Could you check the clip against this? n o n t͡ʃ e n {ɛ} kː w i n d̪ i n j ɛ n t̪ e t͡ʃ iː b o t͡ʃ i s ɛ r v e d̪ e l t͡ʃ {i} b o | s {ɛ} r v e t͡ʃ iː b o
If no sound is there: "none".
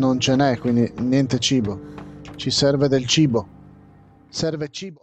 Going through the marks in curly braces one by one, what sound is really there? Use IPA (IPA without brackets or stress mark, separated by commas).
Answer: ɛ, iː, ɛ